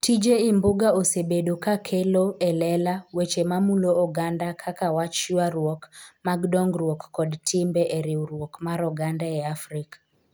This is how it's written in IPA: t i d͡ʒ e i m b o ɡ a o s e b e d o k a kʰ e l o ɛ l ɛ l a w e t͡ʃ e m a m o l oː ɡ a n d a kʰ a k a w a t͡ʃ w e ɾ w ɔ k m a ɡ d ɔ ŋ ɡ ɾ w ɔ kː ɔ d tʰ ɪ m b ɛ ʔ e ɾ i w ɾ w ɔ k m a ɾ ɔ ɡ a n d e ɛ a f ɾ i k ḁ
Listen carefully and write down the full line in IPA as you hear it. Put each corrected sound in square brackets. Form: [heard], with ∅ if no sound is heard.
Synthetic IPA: t i d͡ʒ e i m b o ɡ a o s e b e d o k a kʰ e l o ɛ l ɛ l a w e t͡ʃ e m a m [u] l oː ɡ a n d a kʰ a k a w a t͡ʃ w [a] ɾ w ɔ k m a ɡ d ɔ ŋ ɡ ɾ w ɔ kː ɔ d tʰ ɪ m b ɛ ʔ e ɾ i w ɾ w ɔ k m a ɾ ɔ ɡ a n d [a] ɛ a f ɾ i k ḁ